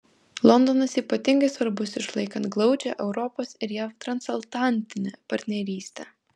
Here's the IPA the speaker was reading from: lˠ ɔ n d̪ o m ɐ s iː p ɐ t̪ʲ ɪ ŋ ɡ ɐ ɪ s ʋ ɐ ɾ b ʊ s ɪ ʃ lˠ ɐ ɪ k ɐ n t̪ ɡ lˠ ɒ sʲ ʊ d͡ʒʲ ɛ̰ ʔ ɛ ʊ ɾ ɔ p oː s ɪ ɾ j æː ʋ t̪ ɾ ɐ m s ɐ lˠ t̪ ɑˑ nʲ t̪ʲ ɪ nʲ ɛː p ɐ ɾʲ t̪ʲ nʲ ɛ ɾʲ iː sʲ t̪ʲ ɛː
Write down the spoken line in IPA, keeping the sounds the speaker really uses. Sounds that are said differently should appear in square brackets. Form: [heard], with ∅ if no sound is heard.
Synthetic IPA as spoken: lˠ ɔ n d̪ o [n] ɐ s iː p ɐ t̪ʲ ɪ ŋ ɡ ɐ ɪ s ʋ ɐ ɾ b ʊ s ɪ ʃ lˠ ɐ ɪ k ɐ n t̪ ɡ lˠ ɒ [∅] ʊ d͡ʒʲ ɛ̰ ʔ ɛ ʊ ɾ ɔ p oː s ɪ ɾ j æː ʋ t̪ ɾ ɐ [n] s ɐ lˠ t̪ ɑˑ nʲ t̪ʲ ɪ nʲ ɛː p ɐ ɾʲ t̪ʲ nʲ ɛ ɾʲ iː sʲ t̪ʲ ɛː